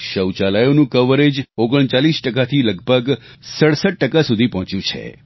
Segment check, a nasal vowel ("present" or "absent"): present